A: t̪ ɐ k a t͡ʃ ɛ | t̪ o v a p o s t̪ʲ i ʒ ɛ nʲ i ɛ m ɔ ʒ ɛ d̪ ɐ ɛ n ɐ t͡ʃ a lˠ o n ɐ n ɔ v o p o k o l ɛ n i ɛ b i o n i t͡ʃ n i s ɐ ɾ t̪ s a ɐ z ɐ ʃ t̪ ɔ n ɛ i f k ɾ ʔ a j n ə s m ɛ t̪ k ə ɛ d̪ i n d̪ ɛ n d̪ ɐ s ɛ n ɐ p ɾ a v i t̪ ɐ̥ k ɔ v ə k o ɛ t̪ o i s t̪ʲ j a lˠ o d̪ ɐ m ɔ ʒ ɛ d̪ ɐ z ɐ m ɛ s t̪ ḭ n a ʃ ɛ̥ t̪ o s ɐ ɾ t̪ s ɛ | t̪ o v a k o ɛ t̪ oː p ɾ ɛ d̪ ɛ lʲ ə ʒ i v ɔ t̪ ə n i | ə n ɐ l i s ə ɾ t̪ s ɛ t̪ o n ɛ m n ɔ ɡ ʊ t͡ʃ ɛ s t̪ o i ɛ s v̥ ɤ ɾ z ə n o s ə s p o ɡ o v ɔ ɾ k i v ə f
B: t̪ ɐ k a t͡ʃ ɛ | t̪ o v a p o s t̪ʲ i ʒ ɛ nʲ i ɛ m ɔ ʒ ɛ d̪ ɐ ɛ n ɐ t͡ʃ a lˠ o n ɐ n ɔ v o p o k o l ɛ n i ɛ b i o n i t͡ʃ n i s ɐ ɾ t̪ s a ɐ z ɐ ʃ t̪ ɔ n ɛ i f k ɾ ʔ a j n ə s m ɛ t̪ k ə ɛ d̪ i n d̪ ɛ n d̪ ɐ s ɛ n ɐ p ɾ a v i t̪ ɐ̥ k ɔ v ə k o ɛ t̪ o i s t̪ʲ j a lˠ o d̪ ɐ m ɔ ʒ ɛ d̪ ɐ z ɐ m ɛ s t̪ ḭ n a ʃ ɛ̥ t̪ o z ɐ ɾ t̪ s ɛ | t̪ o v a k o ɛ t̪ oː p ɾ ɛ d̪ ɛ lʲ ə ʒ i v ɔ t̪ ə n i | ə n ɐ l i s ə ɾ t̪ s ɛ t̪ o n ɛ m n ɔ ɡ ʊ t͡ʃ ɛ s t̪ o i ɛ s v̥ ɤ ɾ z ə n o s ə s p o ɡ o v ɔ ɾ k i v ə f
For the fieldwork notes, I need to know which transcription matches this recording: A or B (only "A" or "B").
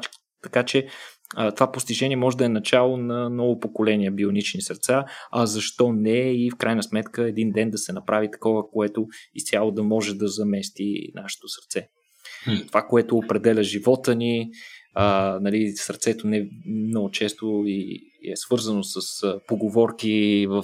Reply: A